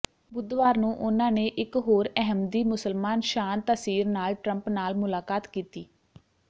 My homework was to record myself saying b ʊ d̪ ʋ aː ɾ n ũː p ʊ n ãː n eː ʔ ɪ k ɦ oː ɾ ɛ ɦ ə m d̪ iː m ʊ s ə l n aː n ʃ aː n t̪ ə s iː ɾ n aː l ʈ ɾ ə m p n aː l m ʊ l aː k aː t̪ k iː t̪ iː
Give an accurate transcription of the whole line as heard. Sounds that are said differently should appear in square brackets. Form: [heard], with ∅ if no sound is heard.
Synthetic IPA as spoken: b ʊ d̪ ʋ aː ɾ n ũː [ʔ] ʊ n ãː n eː ʔ ɪ k ɦ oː ɾ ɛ ɦ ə m d̪ iː m ʊ s ə l [m] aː n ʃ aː n t̪ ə s iː ɾ n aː l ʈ ɾ ə m p n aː l m ʊ l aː k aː t̪ k iː t̪ iː